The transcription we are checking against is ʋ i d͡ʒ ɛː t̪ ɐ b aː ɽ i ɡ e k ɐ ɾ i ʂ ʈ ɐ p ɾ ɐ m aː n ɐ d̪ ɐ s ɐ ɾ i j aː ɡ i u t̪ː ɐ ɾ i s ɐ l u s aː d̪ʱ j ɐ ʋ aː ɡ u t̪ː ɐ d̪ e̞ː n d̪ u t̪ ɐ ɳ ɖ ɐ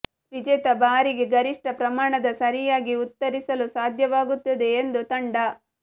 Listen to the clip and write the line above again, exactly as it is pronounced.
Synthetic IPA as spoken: ʋ i d͡ʒ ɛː t̪ ɐ b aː ɾ i ɡ e ɡ ɐ ɾ i ʂ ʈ ɐ p ɾ ɐ m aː ɳ ɐ d̪ ɐ s ɐ ɾ i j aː ɡ i u t̪ː ɐ ɾ i s ɐ l u s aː d̪ʱ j ɐ ʋ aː ɡ u t̪ː ɐ d̪ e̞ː n d̪ u t̪ ɐ ɳ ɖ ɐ

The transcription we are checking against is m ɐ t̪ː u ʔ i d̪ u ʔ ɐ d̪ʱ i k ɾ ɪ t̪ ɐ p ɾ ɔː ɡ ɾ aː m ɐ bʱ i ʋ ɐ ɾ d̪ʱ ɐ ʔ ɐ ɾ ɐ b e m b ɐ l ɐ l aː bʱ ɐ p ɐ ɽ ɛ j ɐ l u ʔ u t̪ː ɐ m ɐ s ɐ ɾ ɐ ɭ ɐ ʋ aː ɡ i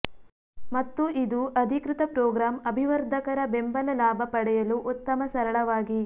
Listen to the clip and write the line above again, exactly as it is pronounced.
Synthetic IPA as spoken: m ɐ t̪ː u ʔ i d̪ u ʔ ɐ d̪ʱ i k ɾ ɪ t̪ ɐ p ɾ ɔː ɡ ɾ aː m ɐ bʱ i ʋ ɐ ɾ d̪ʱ ɐ k ɐ ɾ ɐ b e m b ɐ l ɐ l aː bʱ ɐ p ɐ ɽ ɛ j ɐ l u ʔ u t̪ː ɐ m ɐ s ɐ ɾ ɐ ɭ ɐ ʋ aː ɡ i

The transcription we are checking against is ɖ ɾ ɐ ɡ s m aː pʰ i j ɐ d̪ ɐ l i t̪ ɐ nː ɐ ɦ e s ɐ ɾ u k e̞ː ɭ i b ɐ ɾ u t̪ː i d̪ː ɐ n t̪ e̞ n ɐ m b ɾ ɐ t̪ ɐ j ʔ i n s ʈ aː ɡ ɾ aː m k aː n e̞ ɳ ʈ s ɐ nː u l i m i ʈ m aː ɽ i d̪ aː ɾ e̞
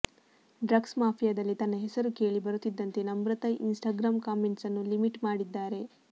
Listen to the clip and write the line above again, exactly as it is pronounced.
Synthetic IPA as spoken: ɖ ɾ ɐ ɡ s m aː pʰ i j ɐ d̪ ɐ lː i t̪ ɐ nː ɐ ɦ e s ɐ ɾ u k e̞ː ɭ i b ɐ ɾ u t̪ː i d̪ː ɐ n t̪ e̞ n ɐ m b ɾ ɐ t̪ ɐ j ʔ i n s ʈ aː ɡ ɾ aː m k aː m e̞ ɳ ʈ s ɐ nː u l i m i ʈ m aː ɽ i d̪ː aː ɾ e̞

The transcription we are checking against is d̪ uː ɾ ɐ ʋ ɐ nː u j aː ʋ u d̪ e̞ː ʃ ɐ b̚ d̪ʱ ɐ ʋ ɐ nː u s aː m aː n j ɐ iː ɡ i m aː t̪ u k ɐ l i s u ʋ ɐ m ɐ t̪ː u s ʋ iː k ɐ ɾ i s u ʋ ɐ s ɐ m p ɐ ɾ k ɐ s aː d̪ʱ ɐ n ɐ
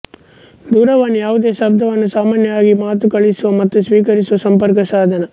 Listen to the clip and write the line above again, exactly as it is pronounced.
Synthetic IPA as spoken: d̪ uː ɾ ɐ ʋ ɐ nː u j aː ʋ u d̪ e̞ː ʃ ɐ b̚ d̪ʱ ɐ ʋ ɐ nː u s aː m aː n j ɐ aː ɡ i m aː t̪ u k ɐ ɭ i s u ʋ ɐ m ɐ t̪ː u s ʋ iː k ɐ ɾ i s u ʋ ɐ s ɐ m p ɐ ɾ k ɐ s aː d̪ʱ ɐ n ɐ

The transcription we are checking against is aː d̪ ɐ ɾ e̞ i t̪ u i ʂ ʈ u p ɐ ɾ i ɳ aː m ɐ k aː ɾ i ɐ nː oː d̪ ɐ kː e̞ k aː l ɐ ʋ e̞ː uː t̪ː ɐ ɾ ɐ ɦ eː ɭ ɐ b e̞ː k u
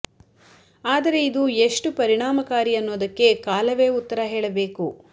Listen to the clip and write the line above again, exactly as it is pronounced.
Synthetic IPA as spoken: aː d̪ ɐ ɾ e̞ i d̪ u e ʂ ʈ u p ɐ ɾ i ɳ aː m ɐ k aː ɾ i ɐ nː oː d̪ ɐ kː e̞ k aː l ɐ ʋ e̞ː u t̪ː ɐ ɾ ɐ ɦ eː ɭ ɐ b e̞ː k u

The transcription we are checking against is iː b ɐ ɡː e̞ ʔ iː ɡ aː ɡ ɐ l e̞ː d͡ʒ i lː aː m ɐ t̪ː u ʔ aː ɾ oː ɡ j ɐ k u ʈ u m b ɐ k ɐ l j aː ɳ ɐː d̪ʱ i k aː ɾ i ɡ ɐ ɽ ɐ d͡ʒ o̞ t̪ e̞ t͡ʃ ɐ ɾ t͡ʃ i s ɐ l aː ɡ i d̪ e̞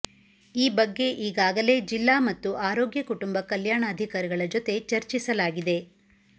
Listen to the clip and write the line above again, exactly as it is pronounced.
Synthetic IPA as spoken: iː b ɐ ɡː e̞ ʔ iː ɡ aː ɡ ɐ l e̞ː d͡ʒ i lː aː m ɐ t̪ː u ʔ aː ɾ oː ɡ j ɐ k u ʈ u m b ɐ k ɐ l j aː ɳ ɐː d̪ʱ i k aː ɾ i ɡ ɐ ɭ ɐ d͡ʒ o̞ t̪ e̞ t͡ʃ ɐ ɾ t͡ʃ i s ɐ l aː ɡ i d̪ e̞

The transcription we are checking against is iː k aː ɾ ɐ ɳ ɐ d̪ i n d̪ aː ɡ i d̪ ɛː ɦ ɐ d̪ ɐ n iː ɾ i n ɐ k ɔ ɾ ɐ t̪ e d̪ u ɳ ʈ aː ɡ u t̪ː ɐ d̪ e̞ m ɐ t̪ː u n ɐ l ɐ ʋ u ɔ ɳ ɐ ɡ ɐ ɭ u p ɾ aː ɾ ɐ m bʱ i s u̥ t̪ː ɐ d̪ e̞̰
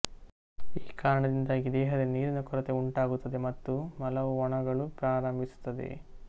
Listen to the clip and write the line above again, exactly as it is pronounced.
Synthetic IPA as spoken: iː k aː ɾ ɐ ɳ ɐ d̪ i n d̪ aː ɡ i d̪ ɛː ɦ ɐ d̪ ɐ n iː ɾ i n ɐ k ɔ ɾ ɐ t̪ e u ɳ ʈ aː ɡ u t̪ː ɐ d̪ e̞ m ɐ t̪ː u m ɐ l ɐ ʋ u ɔ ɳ ɐ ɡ ɐ ɭ u p ɾ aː ɾ ɐ m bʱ i s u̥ t̪ː ɐ d̪ e̞̰

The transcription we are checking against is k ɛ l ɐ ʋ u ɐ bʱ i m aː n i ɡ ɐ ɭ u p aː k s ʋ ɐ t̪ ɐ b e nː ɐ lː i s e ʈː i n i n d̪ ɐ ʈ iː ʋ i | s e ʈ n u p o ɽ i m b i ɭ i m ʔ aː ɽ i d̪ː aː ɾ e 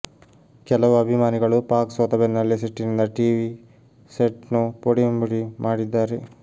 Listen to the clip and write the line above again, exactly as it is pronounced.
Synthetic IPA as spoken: k ɛ l ɐ ʋ u ɐ bʱ i m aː n i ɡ ɐ ɭ u p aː k s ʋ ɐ t̪ ɐ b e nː ɐ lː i s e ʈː i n i n d̪ ɐ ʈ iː ʋ i | s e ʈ n u p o ɽ i m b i ɽ i m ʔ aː ɽ i d̪ː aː ɾ e

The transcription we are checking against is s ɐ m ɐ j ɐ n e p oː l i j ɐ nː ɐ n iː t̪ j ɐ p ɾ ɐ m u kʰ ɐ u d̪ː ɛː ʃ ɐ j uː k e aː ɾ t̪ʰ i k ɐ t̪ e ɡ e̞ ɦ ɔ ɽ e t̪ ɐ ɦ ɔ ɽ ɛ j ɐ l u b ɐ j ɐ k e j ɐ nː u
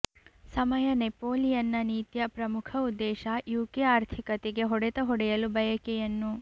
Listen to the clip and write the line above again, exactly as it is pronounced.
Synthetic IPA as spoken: s ɐ m ɐ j ɐ n e p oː l i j ɐ nː ɐ n iː t̪ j ɐ p ɾ ɐ m u kʰ ɐ u d̪ː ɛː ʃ ɐ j uː k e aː ɾ t̪ʰ i k ɐ t̪ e ɡ e̞ ɦ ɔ ɽ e t̪ ɐ ɦ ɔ ɽ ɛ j ɐ l u b ɐ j ɐ k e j ɐ nː u

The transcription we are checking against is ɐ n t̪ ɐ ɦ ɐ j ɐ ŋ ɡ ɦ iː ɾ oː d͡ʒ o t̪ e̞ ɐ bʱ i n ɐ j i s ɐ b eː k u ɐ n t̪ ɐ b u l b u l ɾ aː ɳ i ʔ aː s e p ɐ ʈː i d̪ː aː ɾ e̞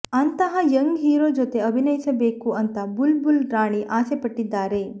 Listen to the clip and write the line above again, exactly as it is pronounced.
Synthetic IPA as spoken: ɐ n t̪ ɐ ɦ ɐ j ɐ ŋ ɡ ɦ iː ɾ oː d͡ʒ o t̪ e̞ ɐ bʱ i n ɐ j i s ɐ b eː k u ɐ n t̪ ɐ b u l b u l ɾ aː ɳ i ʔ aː s e p ɐ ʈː i d̪ː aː ɾ e̞

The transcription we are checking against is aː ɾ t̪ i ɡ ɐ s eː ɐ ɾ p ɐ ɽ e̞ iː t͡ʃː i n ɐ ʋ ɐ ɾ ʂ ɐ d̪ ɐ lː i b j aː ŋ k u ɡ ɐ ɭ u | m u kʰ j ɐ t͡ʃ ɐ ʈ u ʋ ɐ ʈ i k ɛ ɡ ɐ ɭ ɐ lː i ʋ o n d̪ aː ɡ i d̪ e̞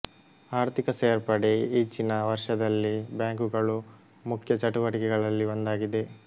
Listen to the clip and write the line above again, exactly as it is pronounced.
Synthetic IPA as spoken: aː ɾ t̪ i k ɐ s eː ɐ ɾ p ɐ ɽ e̞ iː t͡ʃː i n ɐ ʋ ɐ ɾ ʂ ɐ d̪ ɐ lː i b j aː ŋ k u ɡ ɐ ɭ u | m u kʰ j ɐ t͡ʃ ɐ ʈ u ʋ ɐ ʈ i k ɛ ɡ ɐ ɭ ɐ lː i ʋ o n d̪ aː ɡ i d̪ e̞

